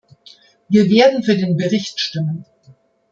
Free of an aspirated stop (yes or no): yes